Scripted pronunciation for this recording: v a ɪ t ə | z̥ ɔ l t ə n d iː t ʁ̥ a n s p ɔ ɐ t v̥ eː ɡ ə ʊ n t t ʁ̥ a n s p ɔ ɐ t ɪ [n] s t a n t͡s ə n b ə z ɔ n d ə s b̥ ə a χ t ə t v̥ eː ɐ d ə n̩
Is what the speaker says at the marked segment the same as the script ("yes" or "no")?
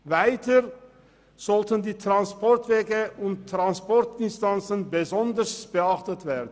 yes